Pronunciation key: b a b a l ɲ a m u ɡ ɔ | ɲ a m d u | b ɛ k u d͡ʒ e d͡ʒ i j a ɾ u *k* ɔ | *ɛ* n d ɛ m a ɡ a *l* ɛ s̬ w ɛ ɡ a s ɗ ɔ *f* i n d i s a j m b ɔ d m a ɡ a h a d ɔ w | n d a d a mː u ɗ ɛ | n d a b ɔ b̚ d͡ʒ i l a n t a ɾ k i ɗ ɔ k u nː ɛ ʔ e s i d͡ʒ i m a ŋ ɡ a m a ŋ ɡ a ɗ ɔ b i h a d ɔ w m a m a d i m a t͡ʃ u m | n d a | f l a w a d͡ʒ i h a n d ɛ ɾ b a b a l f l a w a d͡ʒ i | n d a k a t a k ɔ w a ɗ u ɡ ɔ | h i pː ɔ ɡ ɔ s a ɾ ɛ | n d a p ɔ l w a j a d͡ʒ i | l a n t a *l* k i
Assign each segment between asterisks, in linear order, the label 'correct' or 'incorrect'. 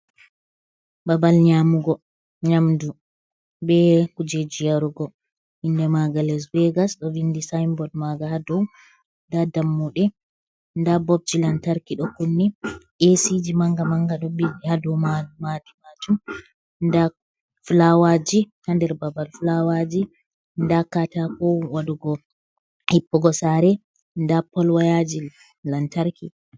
incorrect, incorrect, correct, incorrect, incorrect

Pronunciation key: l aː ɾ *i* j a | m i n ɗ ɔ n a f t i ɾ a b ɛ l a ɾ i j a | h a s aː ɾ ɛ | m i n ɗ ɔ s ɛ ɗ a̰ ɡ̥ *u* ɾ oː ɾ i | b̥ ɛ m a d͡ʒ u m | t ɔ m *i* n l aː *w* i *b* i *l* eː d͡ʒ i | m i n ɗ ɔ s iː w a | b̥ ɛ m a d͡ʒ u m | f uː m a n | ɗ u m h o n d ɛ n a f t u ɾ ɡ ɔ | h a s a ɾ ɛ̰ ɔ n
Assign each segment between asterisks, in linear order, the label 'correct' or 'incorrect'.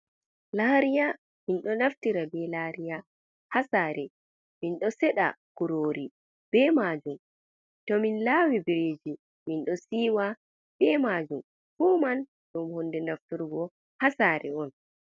correct, correct, correct, correct, correct, incorrect

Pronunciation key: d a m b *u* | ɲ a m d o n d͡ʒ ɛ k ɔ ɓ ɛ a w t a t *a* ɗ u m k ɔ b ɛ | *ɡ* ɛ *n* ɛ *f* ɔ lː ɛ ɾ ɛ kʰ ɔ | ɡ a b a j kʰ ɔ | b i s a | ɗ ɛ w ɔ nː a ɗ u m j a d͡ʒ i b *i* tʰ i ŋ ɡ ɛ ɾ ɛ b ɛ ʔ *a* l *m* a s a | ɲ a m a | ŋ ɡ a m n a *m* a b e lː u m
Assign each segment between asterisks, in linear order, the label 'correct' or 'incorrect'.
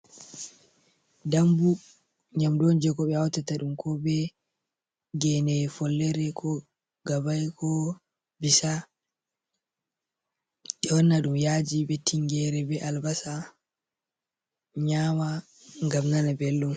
correct, correct, correct, correct, correct, incorrect, correct, incorrect, incorrect

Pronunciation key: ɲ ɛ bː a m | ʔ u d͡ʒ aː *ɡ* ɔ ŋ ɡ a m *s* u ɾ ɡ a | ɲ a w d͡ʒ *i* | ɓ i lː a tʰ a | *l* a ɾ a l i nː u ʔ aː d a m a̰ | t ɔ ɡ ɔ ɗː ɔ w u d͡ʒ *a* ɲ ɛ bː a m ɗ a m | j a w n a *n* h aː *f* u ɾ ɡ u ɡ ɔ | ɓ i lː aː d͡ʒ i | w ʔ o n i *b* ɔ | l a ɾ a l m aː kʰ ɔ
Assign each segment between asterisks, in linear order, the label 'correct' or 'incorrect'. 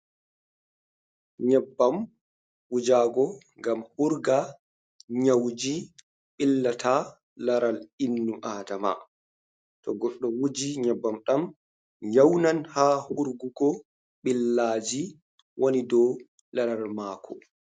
correct, incorrect, correct, correct, incorrect, correct, incorrect, incorrect

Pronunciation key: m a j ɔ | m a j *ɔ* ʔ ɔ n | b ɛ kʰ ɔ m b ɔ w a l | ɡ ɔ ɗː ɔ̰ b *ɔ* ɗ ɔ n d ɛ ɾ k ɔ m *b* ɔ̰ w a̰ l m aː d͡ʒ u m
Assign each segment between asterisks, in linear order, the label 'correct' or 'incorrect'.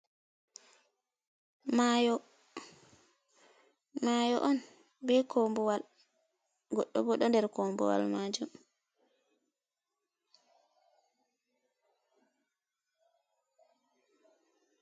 correct, correct, correct

